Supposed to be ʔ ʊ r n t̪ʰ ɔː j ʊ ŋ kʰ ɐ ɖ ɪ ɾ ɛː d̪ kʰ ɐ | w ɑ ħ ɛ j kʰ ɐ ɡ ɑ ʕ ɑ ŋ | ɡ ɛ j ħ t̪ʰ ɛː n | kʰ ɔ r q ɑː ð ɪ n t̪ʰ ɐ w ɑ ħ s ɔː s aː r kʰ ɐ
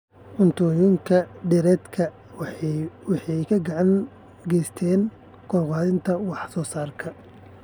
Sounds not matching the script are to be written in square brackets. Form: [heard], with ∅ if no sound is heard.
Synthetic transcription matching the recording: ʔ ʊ [∅] n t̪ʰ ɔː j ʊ ŋ kʰ ɐ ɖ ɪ ɾ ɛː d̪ kʰ ɐ | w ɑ ħ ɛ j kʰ ɐ ɡ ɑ ʕ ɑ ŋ | ɡ ɛ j [s] t̪ʰ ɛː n | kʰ ɔ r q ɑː ð ɪ n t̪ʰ ɐ w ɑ ħ s ɔː s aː r kʰ ɐ